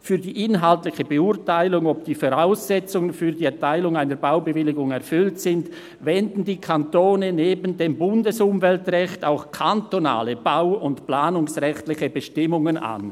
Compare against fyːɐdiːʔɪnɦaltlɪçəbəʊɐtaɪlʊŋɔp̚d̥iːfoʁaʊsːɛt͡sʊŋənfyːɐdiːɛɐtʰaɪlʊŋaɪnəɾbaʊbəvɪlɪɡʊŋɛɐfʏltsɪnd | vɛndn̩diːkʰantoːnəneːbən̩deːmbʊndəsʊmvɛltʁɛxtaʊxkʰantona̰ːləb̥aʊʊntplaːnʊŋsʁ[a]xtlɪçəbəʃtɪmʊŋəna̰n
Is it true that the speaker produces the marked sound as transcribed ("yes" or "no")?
no